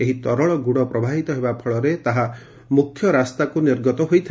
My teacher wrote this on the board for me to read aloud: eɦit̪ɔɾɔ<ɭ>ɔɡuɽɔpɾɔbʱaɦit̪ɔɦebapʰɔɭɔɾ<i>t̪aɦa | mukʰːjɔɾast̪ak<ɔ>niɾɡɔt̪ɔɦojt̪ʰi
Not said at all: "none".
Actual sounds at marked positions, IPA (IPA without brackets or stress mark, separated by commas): ɭ, e, u